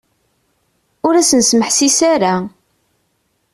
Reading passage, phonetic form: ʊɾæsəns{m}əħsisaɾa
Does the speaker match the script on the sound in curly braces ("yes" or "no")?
yes